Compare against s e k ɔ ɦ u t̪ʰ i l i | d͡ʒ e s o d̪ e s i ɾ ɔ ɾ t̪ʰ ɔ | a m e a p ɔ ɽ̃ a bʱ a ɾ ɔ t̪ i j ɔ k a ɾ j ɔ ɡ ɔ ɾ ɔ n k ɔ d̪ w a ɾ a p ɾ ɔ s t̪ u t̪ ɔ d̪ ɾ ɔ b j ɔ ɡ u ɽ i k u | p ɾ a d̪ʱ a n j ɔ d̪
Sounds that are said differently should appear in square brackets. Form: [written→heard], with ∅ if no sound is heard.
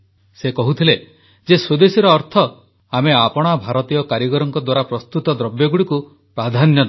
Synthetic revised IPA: s e k ɔ ɦ u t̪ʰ i l [i→e] | d͡ʒ e s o d̪ e s i ɾ [ɔ→ɔː] ɾ t̪ʰ ɔ | a m e a p ɔ ɽ̃ a bʱ a ɾ ɔ t̪ i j ɔ k a ɾ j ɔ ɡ ɔ ɾ ɔ [n→ŋ] k ɔ d̪ w a ɾ a p ɾ ɔ s t̪ u t̪ ɔ d̪ ɾ ɔ b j ɔ ɡ u ɽ i k u | p ɾ a d̪ʱ a n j ɔ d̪